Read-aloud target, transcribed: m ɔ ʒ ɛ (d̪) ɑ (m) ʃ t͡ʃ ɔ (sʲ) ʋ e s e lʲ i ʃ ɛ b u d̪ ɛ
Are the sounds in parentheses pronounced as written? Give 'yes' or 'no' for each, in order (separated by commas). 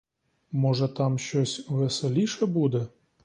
no, yes, yes